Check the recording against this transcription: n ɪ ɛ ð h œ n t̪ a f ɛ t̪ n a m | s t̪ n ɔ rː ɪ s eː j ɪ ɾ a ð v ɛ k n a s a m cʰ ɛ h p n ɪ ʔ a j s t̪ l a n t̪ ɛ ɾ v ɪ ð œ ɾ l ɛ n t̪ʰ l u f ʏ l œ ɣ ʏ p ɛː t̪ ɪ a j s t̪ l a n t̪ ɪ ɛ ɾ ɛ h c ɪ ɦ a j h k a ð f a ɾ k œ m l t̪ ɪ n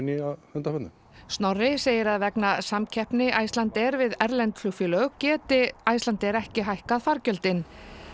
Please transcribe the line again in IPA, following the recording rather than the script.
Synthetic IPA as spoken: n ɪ a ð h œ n t̪ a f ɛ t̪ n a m | s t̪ n ɔ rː ɪ s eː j ɪ ɾ a ð v ɛ k n a s a m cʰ ɛ h p n ɪ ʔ a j s t̪ l a n t̪ ɛ ɾ v ɪ ð ɛ ɾ l ɛ n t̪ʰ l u f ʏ l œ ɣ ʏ c ɛː t̪ ɪ a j s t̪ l a n t̪ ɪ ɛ ɾ ɛ h c ɪ ɦ a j h k a ð f a ɾ c œ l t̪ ɪ n